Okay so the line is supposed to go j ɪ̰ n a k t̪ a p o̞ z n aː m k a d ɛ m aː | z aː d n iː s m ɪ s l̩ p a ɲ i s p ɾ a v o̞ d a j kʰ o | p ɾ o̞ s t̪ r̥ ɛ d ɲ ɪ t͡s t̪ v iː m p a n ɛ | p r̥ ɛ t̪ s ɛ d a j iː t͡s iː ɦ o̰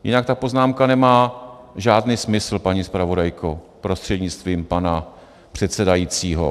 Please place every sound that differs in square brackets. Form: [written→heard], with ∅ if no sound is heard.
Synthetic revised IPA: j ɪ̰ n a k t̪ a p o̞ z n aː m k a [d→n] ɛ m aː | [z→ʒ] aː d n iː s m ɪ s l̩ p a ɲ i s p ɾ a v o̞ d a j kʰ o | p ɾ o̞ s t̪ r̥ ɛ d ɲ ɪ t͡s t̪ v iː m p a n [ɛ→a] | p r̥ ɛ t̪ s ɛ d a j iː t͡s iː ɦ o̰